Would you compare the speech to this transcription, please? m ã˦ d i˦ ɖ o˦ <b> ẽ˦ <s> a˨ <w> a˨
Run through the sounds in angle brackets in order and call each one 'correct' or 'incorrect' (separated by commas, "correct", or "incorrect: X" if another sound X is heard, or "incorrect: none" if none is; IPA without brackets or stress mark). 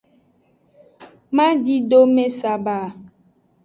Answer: incorrect: m, correct, incorrect: b